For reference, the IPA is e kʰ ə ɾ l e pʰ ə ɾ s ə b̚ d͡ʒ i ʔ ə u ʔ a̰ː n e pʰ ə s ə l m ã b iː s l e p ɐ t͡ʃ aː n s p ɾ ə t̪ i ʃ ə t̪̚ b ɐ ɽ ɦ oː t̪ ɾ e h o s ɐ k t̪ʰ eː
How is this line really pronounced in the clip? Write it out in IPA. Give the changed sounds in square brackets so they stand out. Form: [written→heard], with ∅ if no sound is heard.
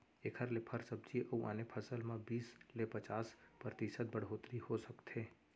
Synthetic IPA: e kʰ ə ɾ l e pʰ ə ɾ s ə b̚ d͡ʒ i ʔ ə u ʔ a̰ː n e pʰ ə s ə l m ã b iː s l e p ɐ t͡ʃ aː [n→∅] s p ɾ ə t̪ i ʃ ə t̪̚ b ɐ ɽ ɦ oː t̪ ɾ [e→i] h o s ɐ k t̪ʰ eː